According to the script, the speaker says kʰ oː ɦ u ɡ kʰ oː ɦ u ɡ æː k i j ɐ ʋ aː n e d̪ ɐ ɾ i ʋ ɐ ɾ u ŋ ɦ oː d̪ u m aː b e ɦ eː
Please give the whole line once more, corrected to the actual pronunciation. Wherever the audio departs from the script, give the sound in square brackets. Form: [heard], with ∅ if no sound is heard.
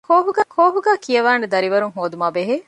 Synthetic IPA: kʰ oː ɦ u ɡ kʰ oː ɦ u ɡ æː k i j ɐ ʋ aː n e d̪ ɐ ɾ i ʋ ɐ ɾ u ŋ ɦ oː d̪ u m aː b e ɦ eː